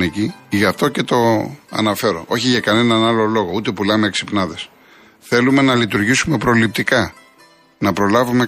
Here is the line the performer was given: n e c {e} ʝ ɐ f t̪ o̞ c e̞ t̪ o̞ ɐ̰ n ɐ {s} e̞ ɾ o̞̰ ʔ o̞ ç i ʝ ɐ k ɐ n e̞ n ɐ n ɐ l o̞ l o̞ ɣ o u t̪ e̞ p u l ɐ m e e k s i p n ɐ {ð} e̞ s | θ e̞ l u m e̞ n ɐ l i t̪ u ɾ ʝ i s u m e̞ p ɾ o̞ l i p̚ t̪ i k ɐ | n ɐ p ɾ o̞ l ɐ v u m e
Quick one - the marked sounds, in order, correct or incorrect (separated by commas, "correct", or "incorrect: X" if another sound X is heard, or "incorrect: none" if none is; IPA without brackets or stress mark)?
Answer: incorrect: i, incorrect: f, correct